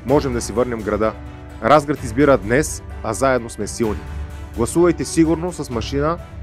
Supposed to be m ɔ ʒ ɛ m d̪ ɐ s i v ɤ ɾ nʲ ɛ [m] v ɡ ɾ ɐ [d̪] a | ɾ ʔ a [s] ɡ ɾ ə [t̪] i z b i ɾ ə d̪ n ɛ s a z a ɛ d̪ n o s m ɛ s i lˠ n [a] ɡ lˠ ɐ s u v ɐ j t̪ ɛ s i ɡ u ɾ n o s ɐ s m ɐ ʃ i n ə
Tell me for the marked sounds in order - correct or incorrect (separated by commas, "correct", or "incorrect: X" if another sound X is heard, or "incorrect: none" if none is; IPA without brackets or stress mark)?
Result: correct, correct, incorrect: z, correct, incorrect: i